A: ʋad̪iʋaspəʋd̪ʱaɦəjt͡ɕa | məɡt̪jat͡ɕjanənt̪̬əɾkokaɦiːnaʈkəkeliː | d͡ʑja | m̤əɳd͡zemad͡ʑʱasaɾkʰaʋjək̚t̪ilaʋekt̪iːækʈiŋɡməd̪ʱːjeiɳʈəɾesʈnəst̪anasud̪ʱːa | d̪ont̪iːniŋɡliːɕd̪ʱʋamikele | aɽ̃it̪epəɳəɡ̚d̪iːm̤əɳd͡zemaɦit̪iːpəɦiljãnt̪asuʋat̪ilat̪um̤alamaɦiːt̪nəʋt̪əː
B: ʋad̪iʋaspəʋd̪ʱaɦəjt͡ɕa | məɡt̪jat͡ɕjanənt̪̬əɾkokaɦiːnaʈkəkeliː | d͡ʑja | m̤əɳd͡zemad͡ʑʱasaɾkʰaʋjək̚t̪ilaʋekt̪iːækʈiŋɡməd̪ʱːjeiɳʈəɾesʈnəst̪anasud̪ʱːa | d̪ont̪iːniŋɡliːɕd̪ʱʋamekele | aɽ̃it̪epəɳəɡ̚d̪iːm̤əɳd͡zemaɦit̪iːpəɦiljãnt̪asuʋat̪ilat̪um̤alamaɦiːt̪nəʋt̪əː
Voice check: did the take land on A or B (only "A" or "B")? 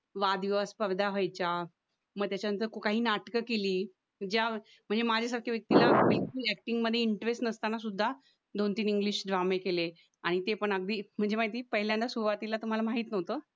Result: B